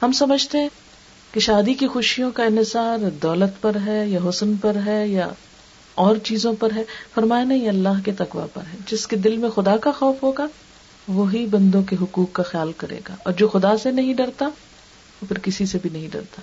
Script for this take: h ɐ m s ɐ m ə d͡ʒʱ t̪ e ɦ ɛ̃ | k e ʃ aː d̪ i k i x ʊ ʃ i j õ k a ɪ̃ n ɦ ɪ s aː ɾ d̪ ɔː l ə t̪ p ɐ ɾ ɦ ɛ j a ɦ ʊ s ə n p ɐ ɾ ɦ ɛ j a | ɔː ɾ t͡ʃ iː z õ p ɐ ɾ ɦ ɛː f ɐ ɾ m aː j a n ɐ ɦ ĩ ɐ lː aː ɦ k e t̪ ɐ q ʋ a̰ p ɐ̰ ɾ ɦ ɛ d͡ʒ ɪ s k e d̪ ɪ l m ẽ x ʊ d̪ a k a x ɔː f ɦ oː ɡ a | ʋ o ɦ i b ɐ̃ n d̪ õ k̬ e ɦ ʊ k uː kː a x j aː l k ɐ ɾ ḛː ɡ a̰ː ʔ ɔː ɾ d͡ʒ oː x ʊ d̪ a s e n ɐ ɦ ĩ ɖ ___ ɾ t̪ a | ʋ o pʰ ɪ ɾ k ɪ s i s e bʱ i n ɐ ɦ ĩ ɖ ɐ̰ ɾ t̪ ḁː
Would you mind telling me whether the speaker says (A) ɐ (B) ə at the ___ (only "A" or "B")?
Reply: A